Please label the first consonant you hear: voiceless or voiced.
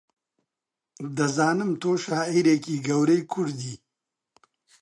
voiced